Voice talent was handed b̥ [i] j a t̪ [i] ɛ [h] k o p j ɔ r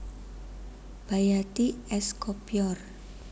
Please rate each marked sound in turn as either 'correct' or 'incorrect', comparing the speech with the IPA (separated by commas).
incorrect, correct, incorrect